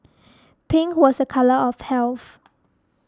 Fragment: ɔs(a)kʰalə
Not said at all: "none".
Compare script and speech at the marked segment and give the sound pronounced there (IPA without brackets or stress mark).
ə